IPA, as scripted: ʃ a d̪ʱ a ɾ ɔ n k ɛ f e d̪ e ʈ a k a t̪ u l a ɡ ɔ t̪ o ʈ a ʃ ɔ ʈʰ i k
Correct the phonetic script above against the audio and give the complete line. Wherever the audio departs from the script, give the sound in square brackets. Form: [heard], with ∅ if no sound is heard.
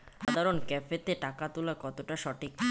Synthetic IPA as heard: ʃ a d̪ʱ a ɾ [o] n k ɛ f e [t̪] e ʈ a k a t̪ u l a [k] ɔ t̪ o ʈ a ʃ ɔ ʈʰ i k

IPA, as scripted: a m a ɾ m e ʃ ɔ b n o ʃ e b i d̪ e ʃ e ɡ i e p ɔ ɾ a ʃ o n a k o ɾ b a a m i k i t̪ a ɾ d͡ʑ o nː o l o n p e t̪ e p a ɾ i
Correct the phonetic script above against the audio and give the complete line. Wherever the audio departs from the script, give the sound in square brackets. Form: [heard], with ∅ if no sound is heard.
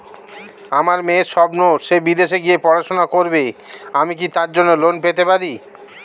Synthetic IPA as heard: a m a ɾ m e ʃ ɔ b n o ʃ e b i d̪ e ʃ e ɡ i e p ɔ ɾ a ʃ o n a k o ɾ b [e] a m i k i t̪ a ɾ d͡ʑ o nː o l o n p e t̪ e p a ɾ i

